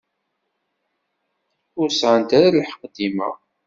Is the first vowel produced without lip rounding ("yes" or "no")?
no